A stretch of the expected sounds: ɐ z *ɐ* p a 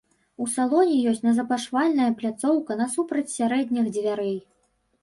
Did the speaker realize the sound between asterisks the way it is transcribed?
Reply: yes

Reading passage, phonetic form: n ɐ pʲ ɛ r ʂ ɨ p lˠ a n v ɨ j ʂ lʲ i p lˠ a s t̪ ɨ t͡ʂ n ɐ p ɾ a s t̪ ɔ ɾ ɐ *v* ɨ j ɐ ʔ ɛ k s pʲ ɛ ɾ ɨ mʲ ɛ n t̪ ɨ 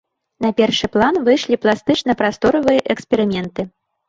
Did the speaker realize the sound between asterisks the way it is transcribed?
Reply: yes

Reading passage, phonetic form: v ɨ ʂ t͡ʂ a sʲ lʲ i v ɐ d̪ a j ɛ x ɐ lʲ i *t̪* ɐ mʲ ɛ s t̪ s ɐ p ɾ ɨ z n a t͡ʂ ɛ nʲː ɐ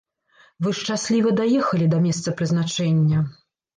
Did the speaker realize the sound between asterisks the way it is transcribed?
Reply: no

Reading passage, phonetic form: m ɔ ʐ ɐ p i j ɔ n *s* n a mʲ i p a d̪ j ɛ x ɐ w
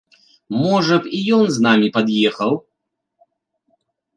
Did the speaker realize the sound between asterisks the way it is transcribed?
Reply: no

